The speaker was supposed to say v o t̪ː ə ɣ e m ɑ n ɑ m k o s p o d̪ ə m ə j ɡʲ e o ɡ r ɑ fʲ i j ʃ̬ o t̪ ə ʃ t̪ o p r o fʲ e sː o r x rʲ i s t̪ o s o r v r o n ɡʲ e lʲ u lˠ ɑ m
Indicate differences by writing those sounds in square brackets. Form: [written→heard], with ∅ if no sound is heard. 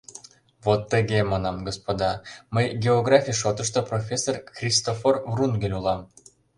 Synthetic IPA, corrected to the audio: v o t̪ː ə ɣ e m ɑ n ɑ m [k→ɡ] o s p o d̪ [ə→ɑ] m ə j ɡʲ e o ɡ r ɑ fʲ i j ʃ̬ o t̪ ə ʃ t̪ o p r o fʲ e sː o r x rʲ i s t̪ o [s→f] o r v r [o→u] n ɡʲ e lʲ u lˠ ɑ m